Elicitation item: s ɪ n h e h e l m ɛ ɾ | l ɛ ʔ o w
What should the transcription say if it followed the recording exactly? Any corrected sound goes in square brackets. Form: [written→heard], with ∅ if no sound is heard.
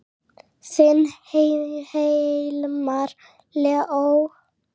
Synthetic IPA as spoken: s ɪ n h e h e l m [ɛ→a] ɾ | l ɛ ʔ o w